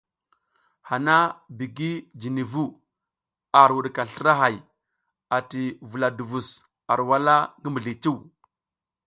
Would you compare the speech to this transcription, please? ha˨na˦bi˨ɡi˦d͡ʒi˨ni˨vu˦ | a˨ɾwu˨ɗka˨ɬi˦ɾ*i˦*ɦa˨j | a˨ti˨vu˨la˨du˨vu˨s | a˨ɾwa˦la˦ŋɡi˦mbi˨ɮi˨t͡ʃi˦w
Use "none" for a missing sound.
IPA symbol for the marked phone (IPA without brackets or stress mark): a˦